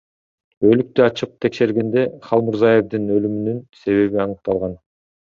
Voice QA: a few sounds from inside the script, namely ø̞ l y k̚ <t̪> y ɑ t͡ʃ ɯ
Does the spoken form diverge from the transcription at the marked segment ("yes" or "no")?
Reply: no